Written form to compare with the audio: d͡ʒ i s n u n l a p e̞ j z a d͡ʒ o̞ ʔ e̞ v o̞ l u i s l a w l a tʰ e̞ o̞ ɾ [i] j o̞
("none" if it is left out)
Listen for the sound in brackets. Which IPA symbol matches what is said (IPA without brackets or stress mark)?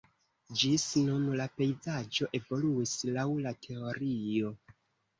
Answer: i